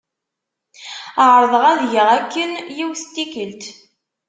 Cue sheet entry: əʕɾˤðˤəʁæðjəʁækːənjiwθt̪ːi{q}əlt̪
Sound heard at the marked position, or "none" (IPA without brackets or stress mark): k